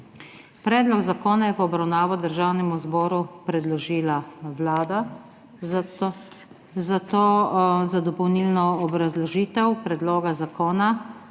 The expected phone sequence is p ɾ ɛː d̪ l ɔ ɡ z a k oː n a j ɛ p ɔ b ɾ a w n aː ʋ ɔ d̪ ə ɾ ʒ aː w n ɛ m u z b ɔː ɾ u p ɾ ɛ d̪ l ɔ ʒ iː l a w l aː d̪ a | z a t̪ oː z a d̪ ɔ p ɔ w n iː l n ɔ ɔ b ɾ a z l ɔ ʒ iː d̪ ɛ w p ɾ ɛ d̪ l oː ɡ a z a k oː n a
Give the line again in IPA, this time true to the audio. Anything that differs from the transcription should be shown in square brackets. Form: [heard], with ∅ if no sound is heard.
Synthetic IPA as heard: p ɾ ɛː d̪ l ɔ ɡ z a k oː n a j ɛ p ɔ b ɾ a w n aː ʋ ɔ d̪ ə ɾ ʒ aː w n ɛ m u z b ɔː ɾ u p ɾ ɛ d̪ l ɔ ʒ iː l a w l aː d̪ a | z a t̪ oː z a d̪ ɔ p ɔ w n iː l n ɔ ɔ b ɾ a z l ɔ ʒ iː [t̪] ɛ w p ɾ ɛ d̪ l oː ɡ a z a k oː n a